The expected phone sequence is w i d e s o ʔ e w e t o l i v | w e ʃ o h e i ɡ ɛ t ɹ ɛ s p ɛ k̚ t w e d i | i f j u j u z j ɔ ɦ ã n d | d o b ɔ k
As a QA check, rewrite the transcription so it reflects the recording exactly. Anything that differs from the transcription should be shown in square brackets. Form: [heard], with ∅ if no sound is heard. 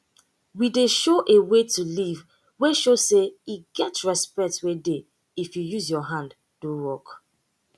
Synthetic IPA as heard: w i d e [ʃ] o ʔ e w e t [u] l i v | w e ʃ o [s] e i ɡ ɛ t ɹ ɛ s p ɛ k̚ t w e d [e] | i f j u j u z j ɔ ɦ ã n d | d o [w] ɔ k

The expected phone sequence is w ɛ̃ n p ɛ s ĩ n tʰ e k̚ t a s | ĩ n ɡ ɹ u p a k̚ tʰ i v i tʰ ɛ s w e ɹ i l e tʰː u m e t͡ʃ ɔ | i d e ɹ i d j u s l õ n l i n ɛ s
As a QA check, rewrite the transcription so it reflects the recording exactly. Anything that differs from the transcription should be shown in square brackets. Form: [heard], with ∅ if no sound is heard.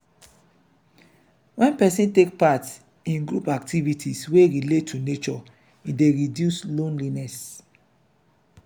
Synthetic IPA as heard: w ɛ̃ n p ɛ s ĩ n [t] e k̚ [p] a [t] | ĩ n ɡ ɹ u p a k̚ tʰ i v i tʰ [i] s w e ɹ i l e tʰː u [n] e t͡ʃ ɔ | i d e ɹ i d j u s l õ n l i n ɛ s

